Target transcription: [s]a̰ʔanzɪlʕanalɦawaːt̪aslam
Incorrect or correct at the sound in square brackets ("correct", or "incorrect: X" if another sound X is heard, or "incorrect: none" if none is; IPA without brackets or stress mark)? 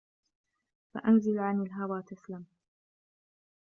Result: incorrect: f